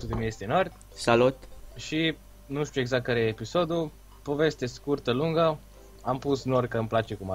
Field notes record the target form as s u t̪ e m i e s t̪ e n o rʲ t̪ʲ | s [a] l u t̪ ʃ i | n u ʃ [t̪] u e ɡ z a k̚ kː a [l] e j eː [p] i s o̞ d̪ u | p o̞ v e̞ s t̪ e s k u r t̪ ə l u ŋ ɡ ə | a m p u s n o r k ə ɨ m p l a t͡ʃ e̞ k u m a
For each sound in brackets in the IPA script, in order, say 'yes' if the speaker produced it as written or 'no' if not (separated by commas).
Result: yes, yes, no, yes